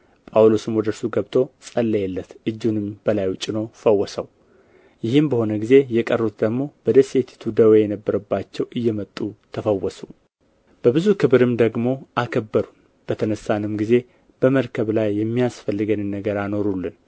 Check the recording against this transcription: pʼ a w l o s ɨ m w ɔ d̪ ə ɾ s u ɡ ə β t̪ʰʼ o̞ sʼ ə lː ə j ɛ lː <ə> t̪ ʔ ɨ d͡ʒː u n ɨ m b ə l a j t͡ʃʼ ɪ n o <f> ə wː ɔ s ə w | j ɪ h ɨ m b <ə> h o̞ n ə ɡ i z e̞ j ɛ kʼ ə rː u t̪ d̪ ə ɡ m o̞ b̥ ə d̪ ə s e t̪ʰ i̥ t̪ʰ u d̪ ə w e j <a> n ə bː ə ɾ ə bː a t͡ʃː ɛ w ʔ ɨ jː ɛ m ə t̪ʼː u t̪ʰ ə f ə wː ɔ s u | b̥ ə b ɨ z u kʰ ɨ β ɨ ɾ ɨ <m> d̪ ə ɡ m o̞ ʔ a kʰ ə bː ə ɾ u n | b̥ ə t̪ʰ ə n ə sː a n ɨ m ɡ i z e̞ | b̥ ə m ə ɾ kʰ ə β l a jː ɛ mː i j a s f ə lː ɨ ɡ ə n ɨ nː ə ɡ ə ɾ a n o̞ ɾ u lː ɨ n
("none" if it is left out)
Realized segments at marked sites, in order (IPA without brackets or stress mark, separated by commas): ə, f, ə, ɛ, m